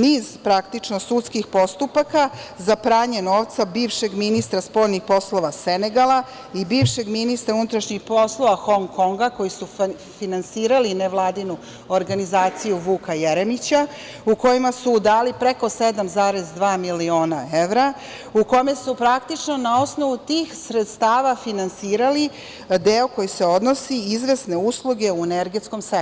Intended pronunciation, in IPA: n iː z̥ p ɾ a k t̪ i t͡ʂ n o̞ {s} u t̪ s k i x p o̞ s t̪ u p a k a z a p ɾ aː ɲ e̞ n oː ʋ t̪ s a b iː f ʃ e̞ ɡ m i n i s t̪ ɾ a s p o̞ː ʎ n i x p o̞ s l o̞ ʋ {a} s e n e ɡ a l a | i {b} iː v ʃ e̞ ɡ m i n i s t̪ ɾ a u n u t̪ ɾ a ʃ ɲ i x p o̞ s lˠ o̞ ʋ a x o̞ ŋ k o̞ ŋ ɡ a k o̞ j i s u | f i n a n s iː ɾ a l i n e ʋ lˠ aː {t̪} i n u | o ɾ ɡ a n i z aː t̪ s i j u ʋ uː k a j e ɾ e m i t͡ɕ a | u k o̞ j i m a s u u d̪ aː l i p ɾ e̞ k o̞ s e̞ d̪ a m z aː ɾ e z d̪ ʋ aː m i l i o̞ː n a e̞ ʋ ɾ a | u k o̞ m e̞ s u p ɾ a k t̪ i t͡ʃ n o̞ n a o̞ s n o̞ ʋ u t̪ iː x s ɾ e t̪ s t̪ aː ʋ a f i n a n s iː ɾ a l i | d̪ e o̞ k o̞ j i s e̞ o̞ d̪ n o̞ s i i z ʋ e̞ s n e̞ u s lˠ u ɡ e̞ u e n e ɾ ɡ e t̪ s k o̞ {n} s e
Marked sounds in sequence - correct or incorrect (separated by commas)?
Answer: correct, correct, correct, incorrect, incorrect